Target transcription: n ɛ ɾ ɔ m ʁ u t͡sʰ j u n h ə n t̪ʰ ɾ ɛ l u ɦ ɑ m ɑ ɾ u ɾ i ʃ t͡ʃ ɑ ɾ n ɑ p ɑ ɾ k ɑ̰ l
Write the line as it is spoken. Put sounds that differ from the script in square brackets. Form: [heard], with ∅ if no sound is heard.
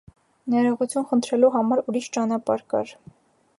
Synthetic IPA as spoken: n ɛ ɾ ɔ [∅] ʁ u t͡sʰ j u n [χ] ə n t̪ʰ ɾ ɛ l u ɦ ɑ m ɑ ɾ u ɾ i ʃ t͡ʃ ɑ [∅] n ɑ p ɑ ɾ k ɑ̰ [ɾ]